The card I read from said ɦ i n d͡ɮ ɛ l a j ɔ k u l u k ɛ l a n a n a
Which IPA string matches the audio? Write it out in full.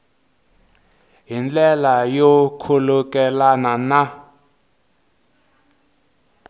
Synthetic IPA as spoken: ɦ i n d͡ɮ ɛ l a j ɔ kʰ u l u k ɛ l a n a n a